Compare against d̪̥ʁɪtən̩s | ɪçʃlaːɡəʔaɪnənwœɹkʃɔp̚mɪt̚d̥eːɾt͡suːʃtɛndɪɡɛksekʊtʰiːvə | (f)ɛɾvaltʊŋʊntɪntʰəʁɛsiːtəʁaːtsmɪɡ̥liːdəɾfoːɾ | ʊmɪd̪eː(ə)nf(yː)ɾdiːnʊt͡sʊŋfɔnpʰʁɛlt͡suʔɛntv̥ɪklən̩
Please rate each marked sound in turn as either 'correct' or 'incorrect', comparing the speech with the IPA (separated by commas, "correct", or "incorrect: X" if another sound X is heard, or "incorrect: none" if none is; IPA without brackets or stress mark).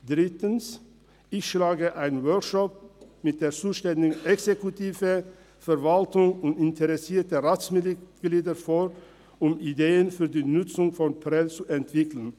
correct, correct, correct